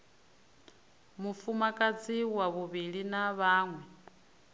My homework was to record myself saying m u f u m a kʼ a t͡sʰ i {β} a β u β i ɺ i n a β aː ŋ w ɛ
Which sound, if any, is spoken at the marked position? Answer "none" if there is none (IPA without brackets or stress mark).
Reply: w